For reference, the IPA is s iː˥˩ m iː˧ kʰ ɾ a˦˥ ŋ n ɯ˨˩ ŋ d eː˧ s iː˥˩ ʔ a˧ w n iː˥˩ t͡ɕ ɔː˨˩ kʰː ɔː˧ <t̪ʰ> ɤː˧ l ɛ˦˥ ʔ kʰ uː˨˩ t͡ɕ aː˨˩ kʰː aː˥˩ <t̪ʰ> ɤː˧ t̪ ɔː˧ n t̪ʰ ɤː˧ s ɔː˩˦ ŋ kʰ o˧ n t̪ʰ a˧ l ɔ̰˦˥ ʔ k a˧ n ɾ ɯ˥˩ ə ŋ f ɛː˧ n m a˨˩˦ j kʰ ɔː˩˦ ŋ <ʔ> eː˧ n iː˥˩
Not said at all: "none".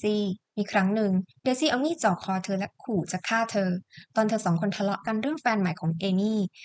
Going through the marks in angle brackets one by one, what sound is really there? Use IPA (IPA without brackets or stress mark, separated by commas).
t̪ʰ, t̪ʰ, ʔ